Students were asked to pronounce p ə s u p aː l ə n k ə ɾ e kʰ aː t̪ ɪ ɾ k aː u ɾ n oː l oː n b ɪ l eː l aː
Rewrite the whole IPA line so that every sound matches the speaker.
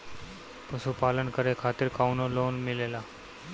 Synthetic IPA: p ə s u p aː l ə n k ə ɾ e kʰ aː t̪ ɪ ɾ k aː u n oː l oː n m ɪ l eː l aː